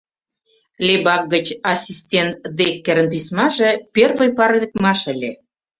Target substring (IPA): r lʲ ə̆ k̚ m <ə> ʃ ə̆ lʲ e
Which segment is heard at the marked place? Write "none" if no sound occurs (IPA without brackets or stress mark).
ɑ